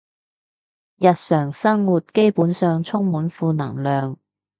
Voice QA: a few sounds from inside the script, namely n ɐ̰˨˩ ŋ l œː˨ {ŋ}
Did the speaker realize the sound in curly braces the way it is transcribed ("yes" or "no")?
yes